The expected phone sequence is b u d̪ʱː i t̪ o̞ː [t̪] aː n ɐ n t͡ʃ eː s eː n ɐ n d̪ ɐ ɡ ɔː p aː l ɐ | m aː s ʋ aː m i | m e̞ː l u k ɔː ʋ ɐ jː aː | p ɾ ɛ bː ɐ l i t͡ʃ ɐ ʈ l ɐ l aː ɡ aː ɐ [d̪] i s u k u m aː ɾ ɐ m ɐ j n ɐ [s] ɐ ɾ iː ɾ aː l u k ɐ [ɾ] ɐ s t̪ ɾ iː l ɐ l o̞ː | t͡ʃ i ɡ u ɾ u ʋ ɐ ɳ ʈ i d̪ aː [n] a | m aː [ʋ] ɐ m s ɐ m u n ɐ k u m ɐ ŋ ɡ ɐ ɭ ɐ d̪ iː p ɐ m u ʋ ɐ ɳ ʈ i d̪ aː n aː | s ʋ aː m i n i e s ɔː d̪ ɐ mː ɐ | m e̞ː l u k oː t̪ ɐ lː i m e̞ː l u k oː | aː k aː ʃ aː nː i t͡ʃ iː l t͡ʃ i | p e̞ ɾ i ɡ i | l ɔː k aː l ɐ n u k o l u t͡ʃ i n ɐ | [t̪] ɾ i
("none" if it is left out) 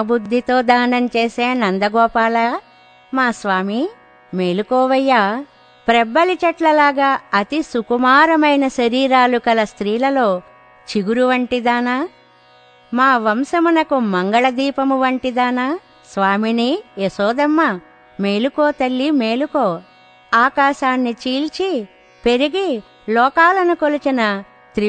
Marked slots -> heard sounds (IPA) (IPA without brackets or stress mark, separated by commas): d̪, t̪, ʃ, l, n, ʋ, t̪